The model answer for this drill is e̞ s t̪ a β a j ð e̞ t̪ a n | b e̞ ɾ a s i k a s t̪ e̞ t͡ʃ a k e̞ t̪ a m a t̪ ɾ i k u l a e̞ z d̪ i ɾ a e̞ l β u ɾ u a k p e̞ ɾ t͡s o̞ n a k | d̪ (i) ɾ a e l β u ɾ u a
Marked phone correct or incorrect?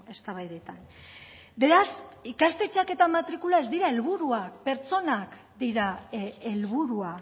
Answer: correct